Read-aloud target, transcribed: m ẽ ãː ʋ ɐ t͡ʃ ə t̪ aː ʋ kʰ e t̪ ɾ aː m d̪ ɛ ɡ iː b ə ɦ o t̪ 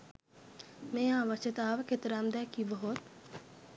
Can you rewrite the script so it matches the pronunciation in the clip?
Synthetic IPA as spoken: m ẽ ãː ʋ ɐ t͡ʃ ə t̪ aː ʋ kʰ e t̪ ɾ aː m d̪ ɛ k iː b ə ɦ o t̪